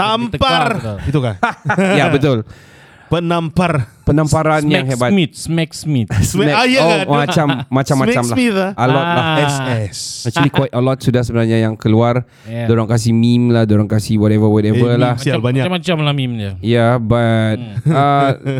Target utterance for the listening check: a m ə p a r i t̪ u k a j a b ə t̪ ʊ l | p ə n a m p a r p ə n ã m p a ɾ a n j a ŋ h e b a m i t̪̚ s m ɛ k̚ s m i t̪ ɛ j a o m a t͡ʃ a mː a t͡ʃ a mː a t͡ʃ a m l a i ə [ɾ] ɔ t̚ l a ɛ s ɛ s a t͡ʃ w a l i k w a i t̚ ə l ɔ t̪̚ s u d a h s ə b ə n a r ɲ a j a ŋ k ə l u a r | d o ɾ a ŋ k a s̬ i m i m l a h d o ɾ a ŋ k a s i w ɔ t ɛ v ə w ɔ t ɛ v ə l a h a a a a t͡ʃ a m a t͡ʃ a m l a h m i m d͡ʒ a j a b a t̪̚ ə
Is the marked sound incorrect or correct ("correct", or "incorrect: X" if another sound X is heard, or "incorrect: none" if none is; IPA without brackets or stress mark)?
incorrect: l